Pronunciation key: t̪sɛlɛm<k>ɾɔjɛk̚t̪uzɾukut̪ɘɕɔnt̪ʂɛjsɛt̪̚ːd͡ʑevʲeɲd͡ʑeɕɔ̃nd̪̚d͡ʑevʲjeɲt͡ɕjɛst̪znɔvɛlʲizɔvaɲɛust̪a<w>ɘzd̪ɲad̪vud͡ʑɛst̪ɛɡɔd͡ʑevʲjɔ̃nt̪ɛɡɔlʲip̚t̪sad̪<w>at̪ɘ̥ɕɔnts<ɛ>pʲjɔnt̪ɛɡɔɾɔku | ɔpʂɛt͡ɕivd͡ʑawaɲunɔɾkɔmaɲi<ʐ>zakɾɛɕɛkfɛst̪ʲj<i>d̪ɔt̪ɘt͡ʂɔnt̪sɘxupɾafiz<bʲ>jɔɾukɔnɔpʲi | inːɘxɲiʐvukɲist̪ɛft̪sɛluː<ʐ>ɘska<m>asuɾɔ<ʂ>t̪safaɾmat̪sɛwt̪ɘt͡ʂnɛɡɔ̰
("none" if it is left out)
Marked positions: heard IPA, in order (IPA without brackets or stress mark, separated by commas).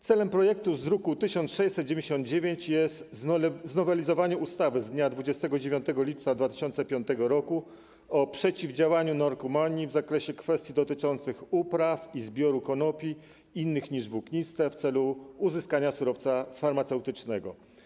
p, v, v, ɛ, v, i, bʲ, z, ɲ, f